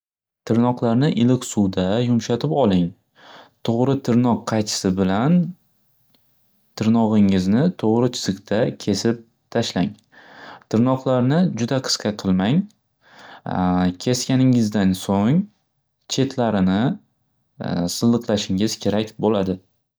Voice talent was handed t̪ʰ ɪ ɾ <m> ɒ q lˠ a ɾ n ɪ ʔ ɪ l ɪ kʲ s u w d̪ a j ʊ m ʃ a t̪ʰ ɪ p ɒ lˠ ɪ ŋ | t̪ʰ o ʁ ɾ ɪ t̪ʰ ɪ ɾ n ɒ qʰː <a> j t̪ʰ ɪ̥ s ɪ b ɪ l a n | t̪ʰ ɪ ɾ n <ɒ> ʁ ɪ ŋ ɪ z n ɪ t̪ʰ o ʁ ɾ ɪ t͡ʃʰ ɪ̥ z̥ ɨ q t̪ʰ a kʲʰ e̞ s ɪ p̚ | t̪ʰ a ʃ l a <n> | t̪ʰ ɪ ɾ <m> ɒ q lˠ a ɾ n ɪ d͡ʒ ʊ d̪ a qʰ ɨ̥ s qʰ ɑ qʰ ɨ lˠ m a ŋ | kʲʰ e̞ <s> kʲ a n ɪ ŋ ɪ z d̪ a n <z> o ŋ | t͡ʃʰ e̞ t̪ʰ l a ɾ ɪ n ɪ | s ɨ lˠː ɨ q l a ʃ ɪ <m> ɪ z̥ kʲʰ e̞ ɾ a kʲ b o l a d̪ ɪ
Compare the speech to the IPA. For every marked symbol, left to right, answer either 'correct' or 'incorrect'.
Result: incorrect, incorrect, correct, incorrect, incorrect, correct, incorrect, incorrect

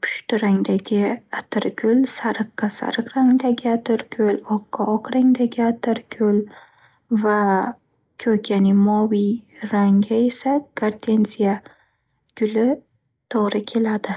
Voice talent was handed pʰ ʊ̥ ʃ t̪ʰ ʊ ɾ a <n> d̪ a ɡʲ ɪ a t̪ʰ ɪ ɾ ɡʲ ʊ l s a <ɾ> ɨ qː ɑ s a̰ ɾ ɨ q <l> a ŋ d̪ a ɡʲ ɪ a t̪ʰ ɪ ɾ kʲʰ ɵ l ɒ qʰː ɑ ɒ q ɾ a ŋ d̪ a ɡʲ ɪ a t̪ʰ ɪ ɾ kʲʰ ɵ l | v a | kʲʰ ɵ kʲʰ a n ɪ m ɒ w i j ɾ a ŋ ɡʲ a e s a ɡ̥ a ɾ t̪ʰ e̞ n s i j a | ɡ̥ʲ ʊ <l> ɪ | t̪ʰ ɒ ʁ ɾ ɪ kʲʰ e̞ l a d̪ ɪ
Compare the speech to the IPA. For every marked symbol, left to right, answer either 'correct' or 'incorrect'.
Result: incorrect, correct, incorrect, correct

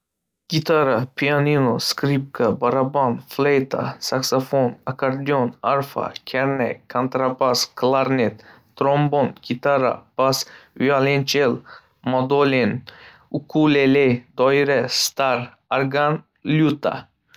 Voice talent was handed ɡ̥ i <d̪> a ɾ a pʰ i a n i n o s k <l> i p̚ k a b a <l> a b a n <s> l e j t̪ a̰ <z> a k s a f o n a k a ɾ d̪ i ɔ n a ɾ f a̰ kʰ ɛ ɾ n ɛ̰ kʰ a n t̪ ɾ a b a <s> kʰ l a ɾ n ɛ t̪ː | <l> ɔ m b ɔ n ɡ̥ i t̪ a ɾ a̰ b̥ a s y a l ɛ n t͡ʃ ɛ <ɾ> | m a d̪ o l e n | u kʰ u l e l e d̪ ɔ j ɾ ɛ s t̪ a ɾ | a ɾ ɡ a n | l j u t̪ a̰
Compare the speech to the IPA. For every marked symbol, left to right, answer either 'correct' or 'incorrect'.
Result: incorrect, incorrect, incorrect, incorrect, incorrect, correct, incorrect, incorrect

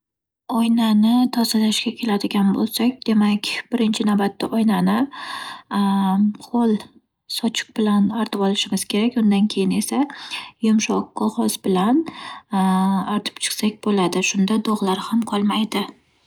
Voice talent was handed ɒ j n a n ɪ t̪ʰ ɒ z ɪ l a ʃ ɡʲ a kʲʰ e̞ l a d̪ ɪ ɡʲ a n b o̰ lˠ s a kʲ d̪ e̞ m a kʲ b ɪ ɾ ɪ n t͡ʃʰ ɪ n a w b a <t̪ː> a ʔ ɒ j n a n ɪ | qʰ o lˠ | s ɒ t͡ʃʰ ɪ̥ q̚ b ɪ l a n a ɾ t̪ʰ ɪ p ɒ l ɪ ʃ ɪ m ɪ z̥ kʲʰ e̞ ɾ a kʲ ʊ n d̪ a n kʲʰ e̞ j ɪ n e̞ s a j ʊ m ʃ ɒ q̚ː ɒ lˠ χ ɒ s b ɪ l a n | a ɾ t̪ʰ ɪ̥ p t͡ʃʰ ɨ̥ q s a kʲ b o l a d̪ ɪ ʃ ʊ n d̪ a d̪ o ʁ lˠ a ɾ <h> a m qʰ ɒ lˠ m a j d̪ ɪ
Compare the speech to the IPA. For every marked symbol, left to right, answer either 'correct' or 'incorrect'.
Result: correct, correct

